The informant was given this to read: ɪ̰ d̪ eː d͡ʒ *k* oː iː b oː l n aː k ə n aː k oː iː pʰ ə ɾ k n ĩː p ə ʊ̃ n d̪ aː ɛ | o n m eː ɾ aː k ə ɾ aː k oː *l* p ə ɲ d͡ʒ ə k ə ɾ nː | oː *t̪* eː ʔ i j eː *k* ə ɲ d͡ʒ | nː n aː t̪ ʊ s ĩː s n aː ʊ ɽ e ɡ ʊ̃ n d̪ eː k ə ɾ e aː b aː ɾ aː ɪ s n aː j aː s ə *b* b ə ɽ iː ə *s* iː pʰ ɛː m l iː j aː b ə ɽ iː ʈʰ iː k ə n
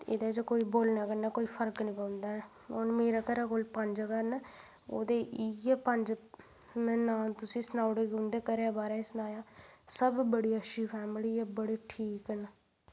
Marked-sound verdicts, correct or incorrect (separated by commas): correct, correct, incorrect, incorrect, correct, incorrect